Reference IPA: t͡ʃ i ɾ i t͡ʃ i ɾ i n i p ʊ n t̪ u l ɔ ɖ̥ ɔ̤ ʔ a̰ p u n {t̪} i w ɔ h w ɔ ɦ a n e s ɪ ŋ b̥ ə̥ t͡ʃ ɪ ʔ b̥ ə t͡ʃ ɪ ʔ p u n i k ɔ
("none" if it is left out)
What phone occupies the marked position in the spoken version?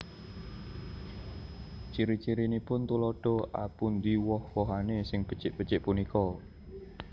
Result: d̪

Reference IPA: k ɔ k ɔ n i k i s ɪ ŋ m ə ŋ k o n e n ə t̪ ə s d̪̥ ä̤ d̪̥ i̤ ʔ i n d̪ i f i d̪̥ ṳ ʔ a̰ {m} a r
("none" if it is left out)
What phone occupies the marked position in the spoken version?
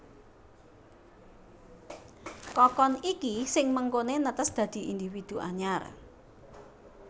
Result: ɲ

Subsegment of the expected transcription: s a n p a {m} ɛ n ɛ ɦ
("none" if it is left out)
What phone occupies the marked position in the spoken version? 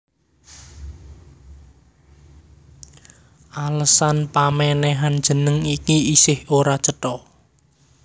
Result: m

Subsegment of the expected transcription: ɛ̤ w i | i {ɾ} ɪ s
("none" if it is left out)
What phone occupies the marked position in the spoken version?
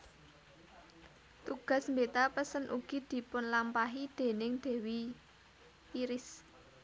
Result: ɾ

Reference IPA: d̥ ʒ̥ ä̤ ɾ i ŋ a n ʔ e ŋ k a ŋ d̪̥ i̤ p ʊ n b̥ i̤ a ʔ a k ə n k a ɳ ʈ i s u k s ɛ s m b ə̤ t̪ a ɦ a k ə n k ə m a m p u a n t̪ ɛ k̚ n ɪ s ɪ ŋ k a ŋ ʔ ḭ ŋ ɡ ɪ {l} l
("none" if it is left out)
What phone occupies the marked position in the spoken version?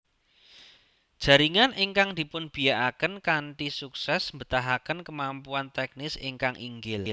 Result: l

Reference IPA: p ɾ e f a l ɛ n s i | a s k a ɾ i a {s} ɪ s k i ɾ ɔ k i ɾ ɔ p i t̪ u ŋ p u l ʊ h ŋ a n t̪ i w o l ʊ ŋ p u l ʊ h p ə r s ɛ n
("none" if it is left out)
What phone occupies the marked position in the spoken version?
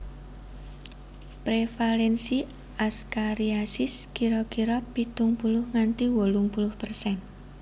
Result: s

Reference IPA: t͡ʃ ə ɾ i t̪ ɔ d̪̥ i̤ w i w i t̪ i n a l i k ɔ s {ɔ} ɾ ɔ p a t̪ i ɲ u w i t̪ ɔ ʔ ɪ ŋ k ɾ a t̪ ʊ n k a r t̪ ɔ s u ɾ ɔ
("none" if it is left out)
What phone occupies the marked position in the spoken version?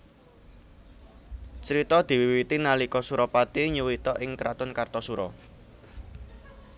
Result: u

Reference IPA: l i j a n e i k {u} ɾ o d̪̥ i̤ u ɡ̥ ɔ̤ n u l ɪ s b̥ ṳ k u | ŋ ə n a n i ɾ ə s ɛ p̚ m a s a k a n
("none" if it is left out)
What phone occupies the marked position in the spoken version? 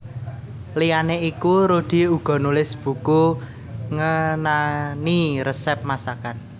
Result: u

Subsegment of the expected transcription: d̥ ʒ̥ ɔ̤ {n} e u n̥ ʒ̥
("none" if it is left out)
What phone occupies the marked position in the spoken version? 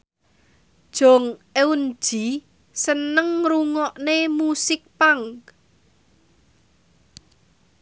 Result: ŋ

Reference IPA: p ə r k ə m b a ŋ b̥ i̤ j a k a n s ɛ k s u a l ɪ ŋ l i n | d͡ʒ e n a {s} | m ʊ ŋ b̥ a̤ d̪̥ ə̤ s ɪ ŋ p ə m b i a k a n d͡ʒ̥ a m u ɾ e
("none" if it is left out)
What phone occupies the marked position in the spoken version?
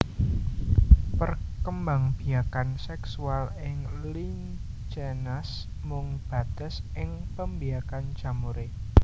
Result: s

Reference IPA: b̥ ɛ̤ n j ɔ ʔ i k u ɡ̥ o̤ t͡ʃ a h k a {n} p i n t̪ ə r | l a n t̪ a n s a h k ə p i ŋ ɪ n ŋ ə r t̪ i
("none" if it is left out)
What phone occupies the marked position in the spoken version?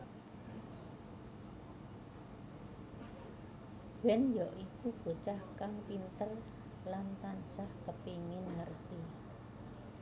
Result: ŋ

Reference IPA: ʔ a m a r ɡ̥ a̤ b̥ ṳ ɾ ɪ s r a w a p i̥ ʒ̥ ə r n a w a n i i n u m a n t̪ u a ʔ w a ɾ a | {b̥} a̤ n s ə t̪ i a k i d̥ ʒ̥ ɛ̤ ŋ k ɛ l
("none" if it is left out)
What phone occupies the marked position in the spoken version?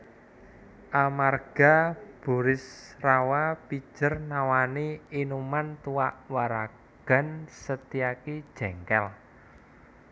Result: ɡ̥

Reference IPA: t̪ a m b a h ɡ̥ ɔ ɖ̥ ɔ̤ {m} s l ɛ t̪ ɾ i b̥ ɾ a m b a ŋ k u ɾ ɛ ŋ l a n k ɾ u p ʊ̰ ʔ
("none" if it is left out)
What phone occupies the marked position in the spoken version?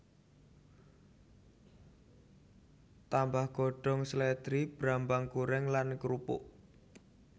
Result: ŋ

